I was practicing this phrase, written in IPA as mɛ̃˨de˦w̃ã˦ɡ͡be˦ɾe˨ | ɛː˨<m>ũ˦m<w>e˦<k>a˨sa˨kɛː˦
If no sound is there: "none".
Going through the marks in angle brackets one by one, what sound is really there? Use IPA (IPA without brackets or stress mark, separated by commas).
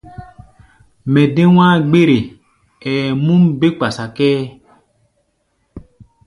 m, b, k͡p